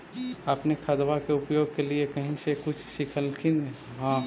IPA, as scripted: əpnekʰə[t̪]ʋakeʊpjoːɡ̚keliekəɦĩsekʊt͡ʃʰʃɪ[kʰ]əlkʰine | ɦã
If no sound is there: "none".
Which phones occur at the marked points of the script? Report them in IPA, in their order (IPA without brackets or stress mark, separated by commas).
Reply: d̪, kʰ